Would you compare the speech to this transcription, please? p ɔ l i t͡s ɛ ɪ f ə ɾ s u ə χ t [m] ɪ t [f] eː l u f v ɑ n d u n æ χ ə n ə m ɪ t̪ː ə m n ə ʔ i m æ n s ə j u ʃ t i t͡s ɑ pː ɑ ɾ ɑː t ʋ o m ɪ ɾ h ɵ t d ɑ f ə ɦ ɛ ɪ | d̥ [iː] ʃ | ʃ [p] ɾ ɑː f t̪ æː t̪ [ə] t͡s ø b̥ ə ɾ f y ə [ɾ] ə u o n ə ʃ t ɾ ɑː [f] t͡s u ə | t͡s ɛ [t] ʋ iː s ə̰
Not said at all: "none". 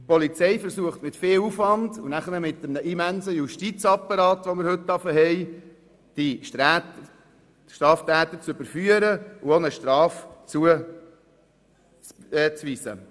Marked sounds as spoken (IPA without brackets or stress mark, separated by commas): m, f, i, t, ə, ɾ, f, t͡s